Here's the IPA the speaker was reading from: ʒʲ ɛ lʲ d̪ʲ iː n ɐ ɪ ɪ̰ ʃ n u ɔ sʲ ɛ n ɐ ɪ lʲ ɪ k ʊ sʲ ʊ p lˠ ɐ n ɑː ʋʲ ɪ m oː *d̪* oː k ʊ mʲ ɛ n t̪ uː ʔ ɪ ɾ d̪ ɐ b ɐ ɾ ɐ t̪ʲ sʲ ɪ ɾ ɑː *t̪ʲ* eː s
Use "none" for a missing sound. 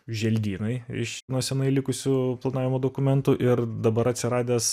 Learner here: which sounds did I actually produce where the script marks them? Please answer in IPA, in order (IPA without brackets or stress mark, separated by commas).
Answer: d̪, d̪ʲ